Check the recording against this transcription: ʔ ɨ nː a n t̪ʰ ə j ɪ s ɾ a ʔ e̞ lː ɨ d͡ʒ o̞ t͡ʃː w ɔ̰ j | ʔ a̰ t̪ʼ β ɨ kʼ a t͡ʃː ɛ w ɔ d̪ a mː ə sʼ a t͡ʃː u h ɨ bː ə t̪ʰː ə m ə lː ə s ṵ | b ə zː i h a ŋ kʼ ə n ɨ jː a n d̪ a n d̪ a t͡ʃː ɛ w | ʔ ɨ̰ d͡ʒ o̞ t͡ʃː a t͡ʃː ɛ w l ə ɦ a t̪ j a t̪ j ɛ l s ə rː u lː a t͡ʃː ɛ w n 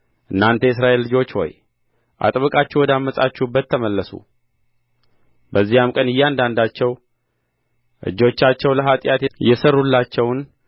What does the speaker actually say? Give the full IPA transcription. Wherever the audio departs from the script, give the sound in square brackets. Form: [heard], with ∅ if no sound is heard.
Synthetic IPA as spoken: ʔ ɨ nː a n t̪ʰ ə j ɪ s ɾ a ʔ e̞ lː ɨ d͡ʒ o̞ t͡ʃː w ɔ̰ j | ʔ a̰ t̪ʼ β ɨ kʼ a t͡ʃː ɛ w ɔ d̪ a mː ə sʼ a t͡ʃː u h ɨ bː ə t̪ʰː ə m ə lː ə s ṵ | b ə zː i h a [m] kʼ ə n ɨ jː a n d̪ a n d̪ a t͡ʃː ɛ w | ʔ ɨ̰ d͡ʒ o̞ t͡ʃː a t͡ʃː ɛ w l ə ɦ a [t̪ʼ] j a t̪ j ɛ [∅] s ə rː u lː a t͡ʃː ɛ w n